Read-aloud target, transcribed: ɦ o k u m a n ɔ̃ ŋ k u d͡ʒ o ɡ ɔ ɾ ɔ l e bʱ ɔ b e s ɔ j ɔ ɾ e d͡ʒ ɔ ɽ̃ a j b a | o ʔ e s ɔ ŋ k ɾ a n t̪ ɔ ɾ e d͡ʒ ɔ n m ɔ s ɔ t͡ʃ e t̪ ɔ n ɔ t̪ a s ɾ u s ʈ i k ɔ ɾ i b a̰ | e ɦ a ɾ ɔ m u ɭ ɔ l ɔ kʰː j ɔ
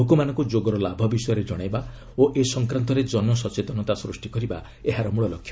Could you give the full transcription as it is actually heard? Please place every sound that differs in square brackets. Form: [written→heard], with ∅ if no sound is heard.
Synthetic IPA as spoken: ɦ o k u m a n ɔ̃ ŋ k u d͡ʒ o ɡ ɔ ɾ ɔ l [e→a] bʱ ɔ b [e→i] s ɔ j ɔ ɾ e d͡ʒ ɔ ɽ̃ a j b a | o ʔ e s ɔ ŋ k ɾ a n t̪ ɔ ɾ e d͡ʒ ɔ n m ɔ s ɔ t͡ʃ e t̪ ɔ n ɔ t̪ a s ɾ u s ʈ i k ɔ ɾ i b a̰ | e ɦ a ɾ ɔ m u ɭ ɔ l ɔ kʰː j ɔ